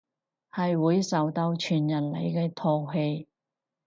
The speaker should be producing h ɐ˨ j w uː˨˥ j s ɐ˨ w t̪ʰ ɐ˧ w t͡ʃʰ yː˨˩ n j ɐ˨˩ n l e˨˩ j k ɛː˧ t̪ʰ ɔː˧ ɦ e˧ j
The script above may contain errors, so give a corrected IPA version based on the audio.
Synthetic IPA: h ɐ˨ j w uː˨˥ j s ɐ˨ w t̪ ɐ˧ w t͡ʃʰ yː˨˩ n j ɐ˨˩ n l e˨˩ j k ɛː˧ t̪ʰ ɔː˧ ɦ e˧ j